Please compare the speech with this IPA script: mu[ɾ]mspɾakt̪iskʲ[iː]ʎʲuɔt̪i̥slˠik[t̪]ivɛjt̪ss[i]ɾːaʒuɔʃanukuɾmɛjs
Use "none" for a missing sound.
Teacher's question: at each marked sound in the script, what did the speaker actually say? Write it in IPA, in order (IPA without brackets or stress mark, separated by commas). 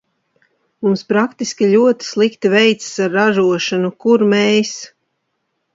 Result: none, i, t̪, a